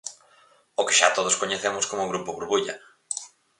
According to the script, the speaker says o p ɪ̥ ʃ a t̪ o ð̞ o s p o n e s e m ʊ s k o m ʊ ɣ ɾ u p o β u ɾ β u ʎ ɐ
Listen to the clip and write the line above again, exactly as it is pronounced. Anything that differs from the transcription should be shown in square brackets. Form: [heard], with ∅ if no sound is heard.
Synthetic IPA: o [k] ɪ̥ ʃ a t̪ o ð̞ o s [k] o [ɲ] e [θ] e m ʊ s k o m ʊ ɣ ɾ u p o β u ɾ β u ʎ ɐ